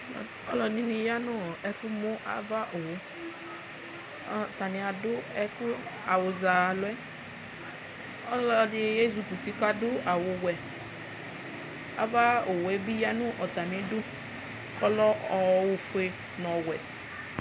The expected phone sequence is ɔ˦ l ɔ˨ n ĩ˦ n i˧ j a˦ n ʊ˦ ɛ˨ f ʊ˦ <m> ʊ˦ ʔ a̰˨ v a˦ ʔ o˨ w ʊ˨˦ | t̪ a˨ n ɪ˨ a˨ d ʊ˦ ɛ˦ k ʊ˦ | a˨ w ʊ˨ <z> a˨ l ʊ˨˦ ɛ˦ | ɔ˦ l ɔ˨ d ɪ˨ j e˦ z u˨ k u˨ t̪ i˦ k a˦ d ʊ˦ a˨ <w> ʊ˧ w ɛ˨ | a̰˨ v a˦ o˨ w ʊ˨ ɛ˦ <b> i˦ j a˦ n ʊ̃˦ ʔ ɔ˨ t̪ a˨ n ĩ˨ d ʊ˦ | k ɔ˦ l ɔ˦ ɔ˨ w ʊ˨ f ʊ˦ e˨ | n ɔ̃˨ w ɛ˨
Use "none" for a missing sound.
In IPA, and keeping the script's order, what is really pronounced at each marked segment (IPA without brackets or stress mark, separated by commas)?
m, z, w, b